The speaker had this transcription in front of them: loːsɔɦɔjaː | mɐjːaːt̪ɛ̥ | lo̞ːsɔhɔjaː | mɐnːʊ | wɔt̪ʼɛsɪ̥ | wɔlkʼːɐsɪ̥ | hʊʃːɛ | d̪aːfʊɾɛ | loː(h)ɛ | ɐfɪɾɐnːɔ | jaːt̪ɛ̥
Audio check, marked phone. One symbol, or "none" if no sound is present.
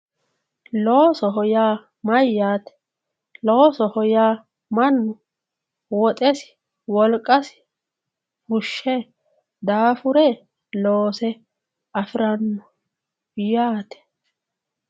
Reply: s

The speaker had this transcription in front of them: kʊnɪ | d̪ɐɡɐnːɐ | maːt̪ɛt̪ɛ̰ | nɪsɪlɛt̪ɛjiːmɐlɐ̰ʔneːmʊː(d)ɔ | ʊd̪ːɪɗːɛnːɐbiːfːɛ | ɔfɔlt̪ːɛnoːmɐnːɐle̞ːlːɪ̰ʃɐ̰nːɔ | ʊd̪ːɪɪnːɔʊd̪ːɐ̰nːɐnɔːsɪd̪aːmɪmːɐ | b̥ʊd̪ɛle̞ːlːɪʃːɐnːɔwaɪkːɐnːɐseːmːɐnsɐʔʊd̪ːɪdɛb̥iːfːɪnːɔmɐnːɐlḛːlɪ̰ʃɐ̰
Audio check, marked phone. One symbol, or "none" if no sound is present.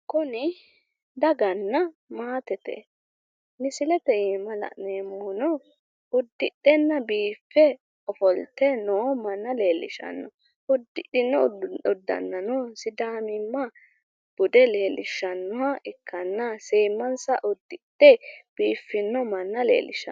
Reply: n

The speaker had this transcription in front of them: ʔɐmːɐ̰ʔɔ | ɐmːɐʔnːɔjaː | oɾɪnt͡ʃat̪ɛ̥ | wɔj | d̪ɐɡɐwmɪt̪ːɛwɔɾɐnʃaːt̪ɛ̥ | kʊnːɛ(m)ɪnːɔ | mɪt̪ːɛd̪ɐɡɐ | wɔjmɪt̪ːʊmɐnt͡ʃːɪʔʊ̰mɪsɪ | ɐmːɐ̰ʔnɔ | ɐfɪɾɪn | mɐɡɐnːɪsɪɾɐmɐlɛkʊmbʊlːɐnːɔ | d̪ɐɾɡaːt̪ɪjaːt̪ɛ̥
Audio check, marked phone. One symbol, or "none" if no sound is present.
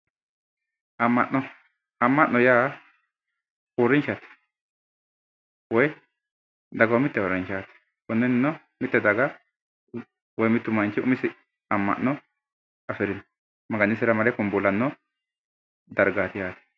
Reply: n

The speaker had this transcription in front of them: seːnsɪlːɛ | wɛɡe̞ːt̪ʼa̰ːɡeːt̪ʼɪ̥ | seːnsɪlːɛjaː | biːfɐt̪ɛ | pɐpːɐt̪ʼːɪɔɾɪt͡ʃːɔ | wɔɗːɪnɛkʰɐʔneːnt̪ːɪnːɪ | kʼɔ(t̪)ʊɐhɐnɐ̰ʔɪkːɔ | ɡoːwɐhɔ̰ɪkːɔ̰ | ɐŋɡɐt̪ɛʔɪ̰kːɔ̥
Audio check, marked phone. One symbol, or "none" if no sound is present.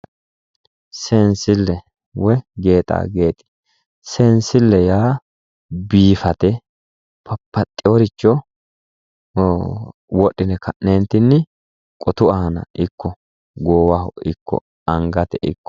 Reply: t̪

